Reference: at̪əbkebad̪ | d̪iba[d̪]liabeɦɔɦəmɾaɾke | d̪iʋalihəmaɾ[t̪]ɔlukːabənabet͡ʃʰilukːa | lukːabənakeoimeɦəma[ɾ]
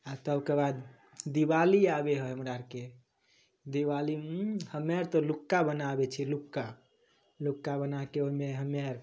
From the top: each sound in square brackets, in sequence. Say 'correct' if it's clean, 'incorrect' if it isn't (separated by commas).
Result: incorrect, correct, correct